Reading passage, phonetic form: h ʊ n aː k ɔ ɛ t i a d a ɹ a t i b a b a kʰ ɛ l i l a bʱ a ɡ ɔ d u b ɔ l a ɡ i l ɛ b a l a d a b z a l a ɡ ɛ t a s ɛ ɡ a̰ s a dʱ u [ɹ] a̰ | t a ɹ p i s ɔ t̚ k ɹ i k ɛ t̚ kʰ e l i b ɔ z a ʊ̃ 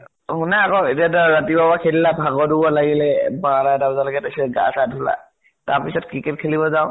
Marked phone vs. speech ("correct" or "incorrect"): incorrect